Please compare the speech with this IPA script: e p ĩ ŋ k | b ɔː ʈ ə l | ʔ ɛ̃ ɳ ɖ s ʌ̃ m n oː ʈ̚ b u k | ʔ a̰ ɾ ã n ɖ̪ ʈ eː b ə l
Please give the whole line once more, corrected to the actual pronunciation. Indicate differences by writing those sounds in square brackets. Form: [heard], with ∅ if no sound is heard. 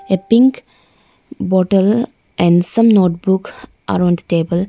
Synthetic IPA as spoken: e p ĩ ŋ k | b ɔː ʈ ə l | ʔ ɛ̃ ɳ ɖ s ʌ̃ m n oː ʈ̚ b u k | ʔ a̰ ɾ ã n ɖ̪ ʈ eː b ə l